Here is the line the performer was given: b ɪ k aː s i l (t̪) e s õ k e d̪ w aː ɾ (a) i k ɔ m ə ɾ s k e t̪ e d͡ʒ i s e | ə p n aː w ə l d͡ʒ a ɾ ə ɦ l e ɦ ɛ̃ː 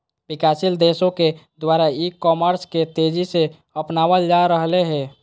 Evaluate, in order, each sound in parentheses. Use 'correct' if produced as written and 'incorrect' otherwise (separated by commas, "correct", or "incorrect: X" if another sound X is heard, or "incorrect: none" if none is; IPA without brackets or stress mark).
incorrect: d̪, correct